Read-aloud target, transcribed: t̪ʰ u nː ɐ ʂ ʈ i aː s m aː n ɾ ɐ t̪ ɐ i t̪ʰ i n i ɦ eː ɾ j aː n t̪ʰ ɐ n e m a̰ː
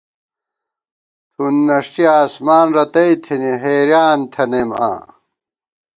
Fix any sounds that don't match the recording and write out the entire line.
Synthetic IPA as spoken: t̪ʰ u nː ɐ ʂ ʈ i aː s m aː n ɾ ɐ t̪ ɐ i t̪ʰ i n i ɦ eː ɾ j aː n t̪ʰ ɐ n e m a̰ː